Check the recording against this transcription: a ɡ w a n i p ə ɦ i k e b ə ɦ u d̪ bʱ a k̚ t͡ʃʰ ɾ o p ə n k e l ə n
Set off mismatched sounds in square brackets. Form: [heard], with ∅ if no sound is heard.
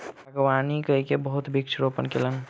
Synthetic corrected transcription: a ɡ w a n i [k] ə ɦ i k e b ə ɦ u [t̪] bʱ [i] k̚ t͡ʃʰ ɾ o p ə n k e l ə n